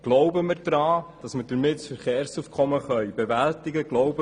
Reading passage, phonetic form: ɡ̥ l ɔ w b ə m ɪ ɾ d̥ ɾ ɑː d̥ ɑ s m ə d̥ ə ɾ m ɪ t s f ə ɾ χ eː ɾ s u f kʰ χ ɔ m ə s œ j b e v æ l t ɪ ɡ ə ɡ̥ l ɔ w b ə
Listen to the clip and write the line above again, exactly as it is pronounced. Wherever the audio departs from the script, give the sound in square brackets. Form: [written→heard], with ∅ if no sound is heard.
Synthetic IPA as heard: ɡ̥ l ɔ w b ə m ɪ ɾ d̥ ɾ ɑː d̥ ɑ s m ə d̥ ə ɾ m ɪ t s f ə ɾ χ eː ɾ s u f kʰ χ ɔ m ə [s→χ] œ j b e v æ l t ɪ ɡ ə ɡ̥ l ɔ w b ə

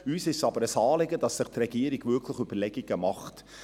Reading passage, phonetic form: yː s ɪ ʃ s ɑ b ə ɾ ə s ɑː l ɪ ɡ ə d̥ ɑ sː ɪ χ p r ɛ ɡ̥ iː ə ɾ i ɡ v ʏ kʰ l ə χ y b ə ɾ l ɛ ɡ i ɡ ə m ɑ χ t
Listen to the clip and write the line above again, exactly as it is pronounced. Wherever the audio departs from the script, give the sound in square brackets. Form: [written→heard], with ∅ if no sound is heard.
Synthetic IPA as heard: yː s ɪ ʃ s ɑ b ə ɾ ə s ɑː l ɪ ɡ ə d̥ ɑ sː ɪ χ [p→t] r ɛ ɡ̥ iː ə ɾ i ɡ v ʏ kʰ l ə χ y b ə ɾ l ɛ ɡ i ɡ ə m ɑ χ t

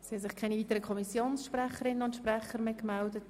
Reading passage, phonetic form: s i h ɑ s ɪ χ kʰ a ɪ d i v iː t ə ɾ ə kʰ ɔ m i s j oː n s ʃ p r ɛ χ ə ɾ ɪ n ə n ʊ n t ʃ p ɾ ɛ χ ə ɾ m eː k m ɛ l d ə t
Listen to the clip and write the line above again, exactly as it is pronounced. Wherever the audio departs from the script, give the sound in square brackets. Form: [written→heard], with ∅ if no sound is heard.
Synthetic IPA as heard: s i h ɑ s ɪ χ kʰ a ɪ [d→n] i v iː t ə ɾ ə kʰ ɔ m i s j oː n s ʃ p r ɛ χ ə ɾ ɪ n ə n ʊ n t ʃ p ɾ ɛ χ ə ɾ m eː k m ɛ l d ə t

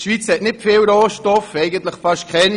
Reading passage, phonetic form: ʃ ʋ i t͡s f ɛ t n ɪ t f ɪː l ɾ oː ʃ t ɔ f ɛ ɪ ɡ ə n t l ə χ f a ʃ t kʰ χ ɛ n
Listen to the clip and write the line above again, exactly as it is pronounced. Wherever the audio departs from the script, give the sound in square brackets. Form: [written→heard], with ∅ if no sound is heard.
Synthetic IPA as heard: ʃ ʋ i t͡s [f→h] ɛ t n ɪ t f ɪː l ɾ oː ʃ t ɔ f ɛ ɪ ɡ ə n t l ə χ f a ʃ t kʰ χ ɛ n

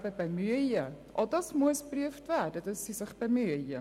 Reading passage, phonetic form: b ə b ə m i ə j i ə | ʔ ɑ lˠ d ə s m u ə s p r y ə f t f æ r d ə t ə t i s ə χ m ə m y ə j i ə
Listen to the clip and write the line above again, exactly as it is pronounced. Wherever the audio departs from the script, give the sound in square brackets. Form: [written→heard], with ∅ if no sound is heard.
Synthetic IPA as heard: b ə b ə m [i→y] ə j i ə | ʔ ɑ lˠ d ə s m u ə s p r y ə f t [f→v] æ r d ə t ə [t→s] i s ə χ [m→b] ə m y ə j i ə

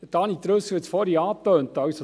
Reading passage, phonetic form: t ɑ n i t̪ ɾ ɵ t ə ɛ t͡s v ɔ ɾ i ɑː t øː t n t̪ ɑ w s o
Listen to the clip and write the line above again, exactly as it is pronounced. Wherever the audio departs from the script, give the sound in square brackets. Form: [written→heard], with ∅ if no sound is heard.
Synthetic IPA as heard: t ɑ n i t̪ ɾ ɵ [t→s] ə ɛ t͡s [v→f] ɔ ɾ i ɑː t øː [t→∅] n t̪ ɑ w s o

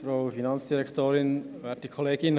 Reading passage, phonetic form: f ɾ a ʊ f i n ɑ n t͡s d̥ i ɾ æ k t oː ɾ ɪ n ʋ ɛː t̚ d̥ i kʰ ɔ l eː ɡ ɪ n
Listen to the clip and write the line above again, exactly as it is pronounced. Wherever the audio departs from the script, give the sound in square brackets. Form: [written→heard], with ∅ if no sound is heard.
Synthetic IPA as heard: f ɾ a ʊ f i n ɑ n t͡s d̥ i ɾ [æ→ɛ] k t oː ɾ ɪ n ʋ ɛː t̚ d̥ i kʰ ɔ l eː ɡ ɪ n

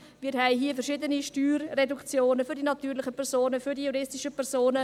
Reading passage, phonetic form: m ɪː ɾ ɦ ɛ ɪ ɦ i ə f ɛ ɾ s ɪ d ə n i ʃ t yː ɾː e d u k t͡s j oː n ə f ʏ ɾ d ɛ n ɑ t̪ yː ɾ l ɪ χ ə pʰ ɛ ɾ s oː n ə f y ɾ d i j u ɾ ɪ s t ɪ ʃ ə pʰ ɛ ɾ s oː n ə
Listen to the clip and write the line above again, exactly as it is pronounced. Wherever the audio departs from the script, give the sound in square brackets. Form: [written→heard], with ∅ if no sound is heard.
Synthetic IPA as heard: m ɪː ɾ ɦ ɛ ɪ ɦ i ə f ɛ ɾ [s→ʃ] ɪ d ə n i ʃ t yː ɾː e d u k t͡s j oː n ə f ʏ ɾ d [ɛ→i] n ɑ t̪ yː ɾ l ɪ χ ə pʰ ɛ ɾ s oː n ə f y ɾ d i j u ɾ ɪ s t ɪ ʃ ə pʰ ɛ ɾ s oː n ə

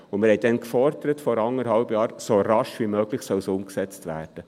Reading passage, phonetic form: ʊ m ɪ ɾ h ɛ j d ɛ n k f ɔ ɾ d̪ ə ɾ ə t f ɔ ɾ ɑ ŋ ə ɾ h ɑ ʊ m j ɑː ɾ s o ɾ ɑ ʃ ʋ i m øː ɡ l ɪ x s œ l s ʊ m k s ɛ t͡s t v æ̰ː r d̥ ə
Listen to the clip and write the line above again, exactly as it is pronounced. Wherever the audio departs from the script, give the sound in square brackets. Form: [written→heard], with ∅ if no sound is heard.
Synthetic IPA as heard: ʊ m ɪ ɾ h ɛ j d ɛ n k f ɔ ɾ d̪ ə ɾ ə t f ɔ ɾ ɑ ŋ ə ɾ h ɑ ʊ [m→b] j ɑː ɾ s o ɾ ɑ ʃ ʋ i m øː ɡ l ɪ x s œ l s ʊ m k s ɛ t͡s t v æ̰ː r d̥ ə

